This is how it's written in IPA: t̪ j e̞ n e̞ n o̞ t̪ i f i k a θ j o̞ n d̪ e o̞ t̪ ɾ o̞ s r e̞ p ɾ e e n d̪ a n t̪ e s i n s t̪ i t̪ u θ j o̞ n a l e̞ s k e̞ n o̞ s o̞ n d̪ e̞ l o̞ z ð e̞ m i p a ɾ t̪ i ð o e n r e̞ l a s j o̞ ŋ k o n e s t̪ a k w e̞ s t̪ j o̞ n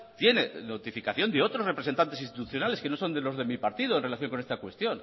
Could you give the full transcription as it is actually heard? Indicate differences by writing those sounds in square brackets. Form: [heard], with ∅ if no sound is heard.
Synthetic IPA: t̪ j e̞ n e̞ n o̞ t̪ i f i k a θ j o̞ n d̪ e o̞ t̪ ɾ o̞ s r e̞ p ɾ e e n [t̪] a n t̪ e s i n s t̪ i t̪ u θ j o̞ n a l e̞ s k e̞ n o̞ s o̞ n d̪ e̞ l o̞ z ð e̞ m i p a ɾ t̪ i ð o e n r e̞ l a [θ] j o̞ ŋ k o n e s t̪ a k w e̞ s t̪ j o̞ n